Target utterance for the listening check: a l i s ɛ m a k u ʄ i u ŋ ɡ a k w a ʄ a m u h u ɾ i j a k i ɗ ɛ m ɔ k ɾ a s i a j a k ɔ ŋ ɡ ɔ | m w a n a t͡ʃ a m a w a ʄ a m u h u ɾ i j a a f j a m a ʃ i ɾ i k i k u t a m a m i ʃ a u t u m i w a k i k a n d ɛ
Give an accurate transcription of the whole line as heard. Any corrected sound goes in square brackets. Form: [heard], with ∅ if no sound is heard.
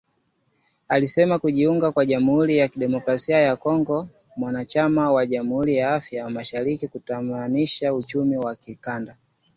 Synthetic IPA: a l i s ɛ m a k u ʄ i u ŋ ɡ a k w a ʄ a m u h u ɾ i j a k i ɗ ɛ m ɔ k ɾ a s i a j a k ɔ ŋ ɡ ɔ | m w a n a t͡ʃ a m a w a ʄ a m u h u ɾ i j a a f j a m a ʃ [a] ɾ i k i k u t a m a [n] i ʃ a u [t͡ʃ] u m i w a k i k a n d [a]